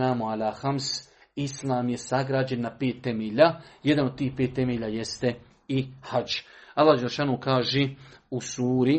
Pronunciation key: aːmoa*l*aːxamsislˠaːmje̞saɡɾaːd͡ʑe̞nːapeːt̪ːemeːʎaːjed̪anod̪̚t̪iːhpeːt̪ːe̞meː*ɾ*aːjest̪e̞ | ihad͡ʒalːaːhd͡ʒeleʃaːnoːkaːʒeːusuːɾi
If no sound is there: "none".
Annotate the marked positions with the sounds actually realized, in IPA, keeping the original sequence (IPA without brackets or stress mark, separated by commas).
l, ʎ